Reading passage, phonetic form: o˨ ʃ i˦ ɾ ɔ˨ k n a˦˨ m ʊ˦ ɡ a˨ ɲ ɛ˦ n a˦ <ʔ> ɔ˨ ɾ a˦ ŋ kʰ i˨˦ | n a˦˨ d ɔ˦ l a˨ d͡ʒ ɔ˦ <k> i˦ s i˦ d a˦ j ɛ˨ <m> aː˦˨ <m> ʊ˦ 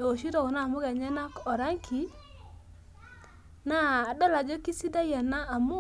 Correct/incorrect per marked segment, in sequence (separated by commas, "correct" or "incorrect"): incorrect, correct, incorrect, correct